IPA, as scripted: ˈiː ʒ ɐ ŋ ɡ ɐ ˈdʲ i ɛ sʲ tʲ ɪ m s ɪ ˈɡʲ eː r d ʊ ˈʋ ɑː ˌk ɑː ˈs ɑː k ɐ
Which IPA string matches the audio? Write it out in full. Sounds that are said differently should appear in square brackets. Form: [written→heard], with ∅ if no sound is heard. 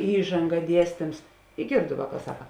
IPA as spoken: ˈiː ʒ ɐ ŋ ɡ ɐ ˈdʲ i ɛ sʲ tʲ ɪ m s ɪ ˈɡʲ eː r d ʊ ˈʋ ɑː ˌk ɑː ˈs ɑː k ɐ